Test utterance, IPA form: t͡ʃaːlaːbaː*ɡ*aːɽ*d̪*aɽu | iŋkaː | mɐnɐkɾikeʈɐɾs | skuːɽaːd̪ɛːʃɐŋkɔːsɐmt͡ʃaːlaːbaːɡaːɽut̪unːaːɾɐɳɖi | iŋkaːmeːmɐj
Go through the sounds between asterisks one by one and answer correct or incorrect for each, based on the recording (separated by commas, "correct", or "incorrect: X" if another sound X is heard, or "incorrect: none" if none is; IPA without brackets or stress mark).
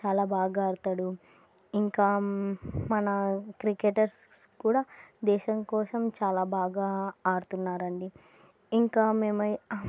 correct, incorrect: t̪